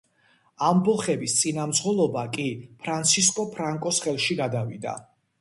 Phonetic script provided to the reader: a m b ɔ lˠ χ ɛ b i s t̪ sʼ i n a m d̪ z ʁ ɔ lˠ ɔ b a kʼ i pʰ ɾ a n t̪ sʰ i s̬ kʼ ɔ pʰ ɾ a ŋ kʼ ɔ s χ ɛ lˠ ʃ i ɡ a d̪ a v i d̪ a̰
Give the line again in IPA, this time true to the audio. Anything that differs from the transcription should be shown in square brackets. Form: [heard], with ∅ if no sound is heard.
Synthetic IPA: a m b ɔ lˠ χ ɛ b i s t̪ sʼ i n a m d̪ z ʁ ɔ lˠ ɔ b a kʼ i pʰ ɾ a n t̪ sʰ i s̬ kʼ ɔ pʰ ɾ a ŋ kʼ ɔ s χ ɛ lˠ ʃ i ɡ a d̪ a v i d̪ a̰